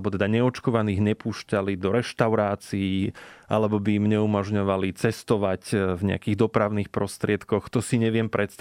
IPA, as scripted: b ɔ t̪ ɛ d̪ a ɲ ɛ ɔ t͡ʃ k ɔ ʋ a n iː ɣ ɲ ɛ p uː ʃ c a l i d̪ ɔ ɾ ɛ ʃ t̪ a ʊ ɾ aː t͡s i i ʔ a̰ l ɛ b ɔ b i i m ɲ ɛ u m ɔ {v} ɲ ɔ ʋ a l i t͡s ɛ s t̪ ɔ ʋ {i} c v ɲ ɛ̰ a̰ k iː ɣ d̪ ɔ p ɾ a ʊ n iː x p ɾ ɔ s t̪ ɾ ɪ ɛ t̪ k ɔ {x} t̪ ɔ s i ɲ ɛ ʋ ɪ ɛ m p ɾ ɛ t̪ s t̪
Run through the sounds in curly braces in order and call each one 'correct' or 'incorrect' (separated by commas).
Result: incorrect, incorrect, correct